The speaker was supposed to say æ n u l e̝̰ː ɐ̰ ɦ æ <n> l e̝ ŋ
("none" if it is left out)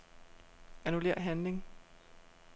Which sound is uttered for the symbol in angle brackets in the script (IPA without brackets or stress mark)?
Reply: n